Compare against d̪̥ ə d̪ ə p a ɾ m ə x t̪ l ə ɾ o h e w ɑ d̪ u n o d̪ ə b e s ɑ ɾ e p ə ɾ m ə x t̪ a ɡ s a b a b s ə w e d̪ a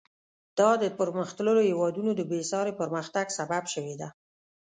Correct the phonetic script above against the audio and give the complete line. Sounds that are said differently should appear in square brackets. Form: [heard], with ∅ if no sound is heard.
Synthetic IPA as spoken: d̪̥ [ɑ] d̪ ə p [ə] ɾ m ə x t̪ l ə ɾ o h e w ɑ d̪ u n o d̪ ə b e s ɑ ɾ e p ə ɾ m ə x t̪ a ɡ s a b a b [ʃ] ə w e d̪ a